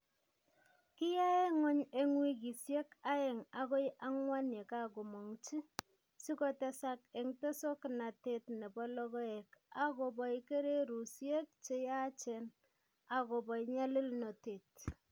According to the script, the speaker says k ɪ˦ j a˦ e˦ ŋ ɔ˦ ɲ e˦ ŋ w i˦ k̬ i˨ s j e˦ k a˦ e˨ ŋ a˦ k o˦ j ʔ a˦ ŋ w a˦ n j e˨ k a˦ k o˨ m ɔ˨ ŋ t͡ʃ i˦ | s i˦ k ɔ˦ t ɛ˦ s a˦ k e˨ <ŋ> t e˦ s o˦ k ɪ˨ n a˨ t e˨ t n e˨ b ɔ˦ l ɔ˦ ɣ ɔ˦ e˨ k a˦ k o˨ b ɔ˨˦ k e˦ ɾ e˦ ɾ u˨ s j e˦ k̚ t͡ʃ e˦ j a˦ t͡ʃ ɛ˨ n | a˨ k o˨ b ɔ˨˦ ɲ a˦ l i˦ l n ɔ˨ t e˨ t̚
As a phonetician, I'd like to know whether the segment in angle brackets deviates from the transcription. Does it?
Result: no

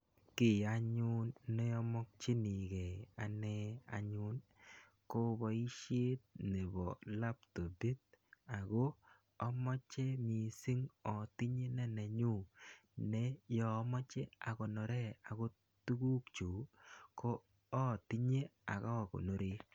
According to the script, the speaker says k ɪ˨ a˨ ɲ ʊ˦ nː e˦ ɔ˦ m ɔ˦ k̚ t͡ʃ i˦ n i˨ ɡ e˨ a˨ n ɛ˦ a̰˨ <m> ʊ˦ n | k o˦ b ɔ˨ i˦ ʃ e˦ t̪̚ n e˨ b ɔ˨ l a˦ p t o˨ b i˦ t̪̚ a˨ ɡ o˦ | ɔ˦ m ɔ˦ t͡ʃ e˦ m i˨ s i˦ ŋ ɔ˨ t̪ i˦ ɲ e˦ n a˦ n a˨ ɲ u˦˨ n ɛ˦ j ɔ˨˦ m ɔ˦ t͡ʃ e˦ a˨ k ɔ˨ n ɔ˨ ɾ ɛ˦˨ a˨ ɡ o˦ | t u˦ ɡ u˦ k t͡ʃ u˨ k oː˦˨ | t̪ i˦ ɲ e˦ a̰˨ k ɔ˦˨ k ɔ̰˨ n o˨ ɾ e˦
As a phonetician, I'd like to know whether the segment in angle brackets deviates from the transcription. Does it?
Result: yes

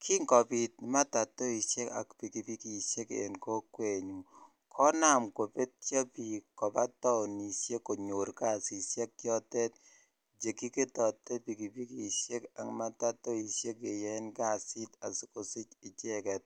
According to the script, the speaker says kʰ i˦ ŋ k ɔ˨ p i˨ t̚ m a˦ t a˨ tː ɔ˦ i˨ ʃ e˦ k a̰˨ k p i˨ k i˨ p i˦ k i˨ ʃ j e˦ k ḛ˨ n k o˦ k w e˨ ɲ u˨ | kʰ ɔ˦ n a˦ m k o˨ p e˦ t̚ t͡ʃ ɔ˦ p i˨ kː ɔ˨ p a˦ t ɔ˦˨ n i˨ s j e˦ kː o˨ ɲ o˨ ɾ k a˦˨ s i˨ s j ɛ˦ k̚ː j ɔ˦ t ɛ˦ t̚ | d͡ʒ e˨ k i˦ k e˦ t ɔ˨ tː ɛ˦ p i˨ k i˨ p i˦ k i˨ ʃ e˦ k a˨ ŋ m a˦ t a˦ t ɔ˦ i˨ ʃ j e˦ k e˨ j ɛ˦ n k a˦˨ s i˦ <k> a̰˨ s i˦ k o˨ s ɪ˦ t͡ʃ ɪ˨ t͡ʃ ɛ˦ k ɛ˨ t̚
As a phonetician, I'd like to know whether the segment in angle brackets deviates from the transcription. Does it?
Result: yes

